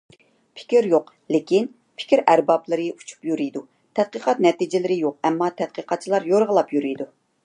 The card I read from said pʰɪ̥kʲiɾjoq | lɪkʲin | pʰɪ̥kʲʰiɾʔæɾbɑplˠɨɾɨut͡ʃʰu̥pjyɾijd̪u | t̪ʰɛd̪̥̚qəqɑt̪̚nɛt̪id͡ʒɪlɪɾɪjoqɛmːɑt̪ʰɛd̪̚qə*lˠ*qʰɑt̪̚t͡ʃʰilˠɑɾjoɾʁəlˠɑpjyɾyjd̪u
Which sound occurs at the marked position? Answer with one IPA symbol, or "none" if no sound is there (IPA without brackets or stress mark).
none